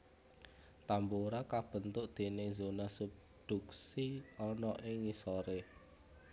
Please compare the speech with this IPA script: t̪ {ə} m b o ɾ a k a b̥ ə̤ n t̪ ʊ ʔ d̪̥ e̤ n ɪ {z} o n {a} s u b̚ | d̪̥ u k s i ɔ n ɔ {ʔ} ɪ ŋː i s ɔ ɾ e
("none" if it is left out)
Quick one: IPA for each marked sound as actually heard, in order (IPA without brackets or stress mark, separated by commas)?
a, z, a, ʔ